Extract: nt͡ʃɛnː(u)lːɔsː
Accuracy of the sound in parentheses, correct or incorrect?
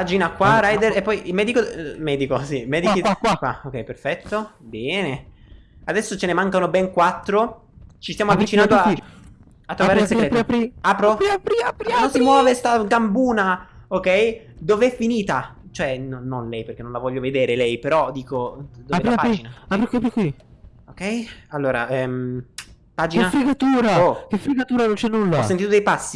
correct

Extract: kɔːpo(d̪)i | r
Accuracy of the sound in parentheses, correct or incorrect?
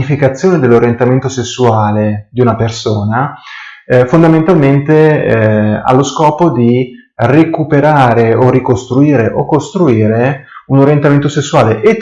correct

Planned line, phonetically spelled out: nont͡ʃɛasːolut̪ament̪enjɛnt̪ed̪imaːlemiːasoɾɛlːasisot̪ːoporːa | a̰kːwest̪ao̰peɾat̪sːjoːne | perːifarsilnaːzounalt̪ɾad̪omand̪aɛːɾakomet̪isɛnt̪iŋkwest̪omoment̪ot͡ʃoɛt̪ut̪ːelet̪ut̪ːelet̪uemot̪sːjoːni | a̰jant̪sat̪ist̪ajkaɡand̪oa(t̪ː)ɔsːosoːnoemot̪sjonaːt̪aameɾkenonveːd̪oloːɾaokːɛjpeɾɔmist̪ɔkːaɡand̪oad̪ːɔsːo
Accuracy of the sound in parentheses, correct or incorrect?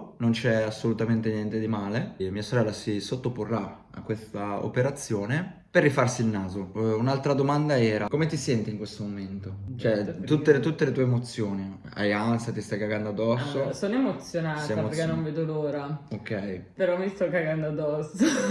incorrect: d̪ː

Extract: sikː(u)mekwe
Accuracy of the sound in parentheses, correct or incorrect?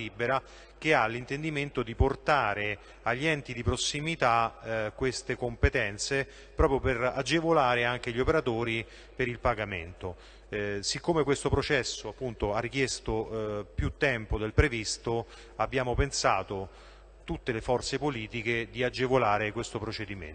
incorrect: o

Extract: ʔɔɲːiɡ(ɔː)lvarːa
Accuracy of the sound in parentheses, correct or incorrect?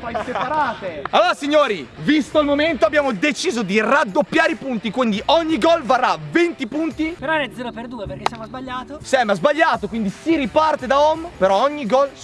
incorrect: ɔ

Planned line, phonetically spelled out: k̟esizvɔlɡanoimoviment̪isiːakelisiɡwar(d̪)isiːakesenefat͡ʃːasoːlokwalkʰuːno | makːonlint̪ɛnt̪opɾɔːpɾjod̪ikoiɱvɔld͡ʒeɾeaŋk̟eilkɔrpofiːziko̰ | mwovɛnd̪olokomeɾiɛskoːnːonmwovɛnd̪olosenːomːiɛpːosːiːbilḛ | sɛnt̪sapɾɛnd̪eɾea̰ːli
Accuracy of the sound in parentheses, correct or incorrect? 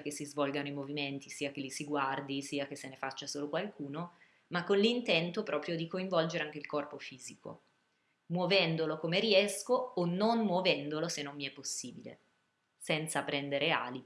correct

